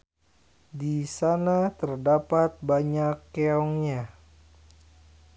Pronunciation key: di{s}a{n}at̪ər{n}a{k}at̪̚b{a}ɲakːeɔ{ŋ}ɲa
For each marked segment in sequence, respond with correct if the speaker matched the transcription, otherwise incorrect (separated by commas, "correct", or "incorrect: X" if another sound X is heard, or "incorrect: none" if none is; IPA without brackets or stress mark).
correct, correct, incorrect: d, incorrect: p, correct, correct